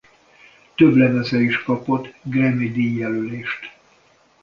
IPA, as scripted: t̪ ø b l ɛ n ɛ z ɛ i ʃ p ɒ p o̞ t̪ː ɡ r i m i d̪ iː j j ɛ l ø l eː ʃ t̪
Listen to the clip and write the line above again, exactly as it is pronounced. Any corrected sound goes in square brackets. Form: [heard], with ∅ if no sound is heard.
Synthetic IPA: t̪ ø b l ɛ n ɛ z ɛ i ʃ [k] ɒ p o̞ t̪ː ɡ r [ɛ] m i d̪ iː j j ɛ l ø l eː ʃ t̪